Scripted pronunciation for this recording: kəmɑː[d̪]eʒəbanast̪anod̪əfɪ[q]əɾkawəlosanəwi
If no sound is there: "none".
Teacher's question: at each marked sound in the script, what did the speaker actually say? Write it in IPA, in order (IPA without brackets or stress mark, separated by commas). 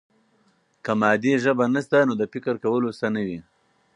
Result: d̪, k